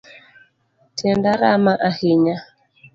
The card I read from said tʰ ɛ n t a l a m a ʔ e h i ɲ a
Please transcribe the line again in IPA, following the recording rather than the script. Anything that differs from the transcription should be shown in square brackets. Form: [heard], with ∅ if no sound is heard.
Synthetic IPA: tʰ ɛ n [d] a [ɾ] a m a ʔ [a] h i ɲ a